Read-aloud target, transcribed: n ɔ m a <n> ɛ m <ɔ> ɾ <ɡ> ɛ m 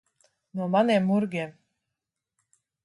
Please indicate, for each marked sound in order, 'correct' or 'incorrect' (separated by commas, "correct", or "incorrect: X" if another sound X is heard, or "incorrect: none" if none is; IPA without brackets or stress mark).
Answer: correct, incorrect: u, correct